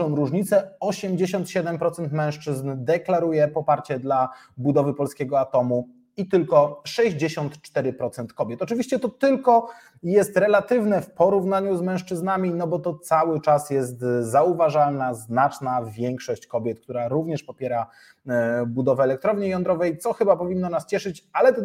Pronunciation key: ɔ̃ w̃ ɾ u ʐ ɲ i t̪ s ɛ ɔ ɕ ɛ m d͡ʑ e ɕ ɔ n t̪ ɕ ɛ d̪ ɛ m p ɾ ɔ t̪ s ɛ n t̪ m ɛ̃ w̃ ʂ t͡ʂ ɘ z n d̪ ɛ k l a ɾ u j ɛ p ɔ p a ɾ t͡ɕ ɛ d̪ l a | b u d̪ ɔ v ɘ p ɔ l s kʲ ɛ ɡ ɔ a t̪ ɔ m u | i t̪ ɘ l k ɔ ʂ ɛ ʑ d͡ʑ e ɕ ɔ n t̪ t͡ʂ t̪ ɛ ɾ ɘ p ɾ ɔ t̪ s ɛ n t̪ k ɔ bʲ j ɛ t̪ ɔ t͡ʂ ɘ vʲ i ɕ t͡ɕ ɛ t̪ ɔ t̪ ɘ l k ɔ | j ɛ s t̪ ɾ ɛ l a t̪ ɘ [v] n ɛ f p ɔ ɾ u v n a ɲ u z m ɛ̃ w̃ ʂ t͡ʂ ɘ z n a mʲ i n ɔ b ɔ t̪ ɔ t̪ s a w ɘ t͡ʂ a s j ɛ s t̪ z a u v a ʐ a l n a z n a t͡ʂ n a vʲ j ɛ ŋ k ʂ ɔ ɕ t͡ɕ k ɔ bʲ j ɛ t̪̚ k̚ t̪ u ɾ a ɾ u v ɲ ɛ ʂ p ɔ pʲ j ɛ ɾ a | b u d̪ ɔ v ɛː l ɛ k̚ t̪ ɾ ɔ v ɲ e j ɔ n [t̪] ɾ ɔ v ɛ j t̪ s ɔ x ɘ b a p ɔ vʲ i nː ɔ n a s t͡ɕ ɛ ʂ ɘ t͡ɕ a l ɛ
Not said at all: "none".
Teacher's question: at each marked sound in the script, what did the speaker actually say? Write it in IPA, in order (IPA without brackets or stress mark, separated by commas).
v, d̪